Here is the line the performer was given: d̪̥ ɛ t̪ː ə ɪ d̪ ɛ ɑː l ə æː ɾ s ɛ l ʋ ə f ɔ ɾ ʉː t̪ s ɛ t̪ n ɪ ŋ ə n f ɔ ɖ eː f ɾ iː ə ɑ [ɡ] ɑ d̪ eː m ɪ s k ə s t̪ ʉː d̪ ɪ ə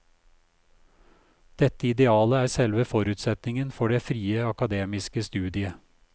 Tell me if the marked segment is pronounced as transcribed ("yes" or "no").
no